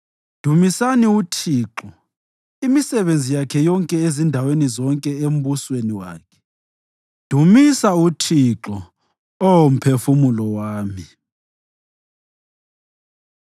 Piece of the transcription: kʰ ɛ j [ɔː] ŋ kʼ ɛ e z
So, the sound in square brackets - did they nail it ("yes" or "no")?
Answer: no